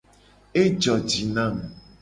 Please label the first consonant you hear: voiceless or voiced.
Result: voiced